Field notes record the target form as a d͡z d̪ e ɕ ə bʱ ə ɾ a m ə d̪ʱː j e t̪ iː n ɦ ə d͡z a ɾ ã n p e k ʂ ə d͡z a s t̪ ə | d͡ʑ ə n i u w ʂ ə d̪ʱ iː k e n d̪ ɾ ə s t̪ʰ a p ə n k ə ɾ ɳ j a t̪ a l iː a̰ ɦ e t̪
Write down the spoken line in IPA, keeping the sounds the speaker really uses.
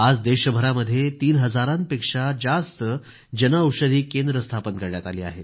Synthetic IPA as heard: a d͡z d̪ e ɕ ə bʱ ə ɾ a m ə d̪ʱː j e t̪ iː n ɦ ə d͡z a ɾ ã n p e k ʂ a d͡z a s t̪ ə | d͡ʑ ə n a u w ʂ ə d̪ʱ iː k e n d̪ ɾ ə s t̪ʰ a p ə n k ə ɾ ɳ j a t̪ a l iː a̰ ɦ e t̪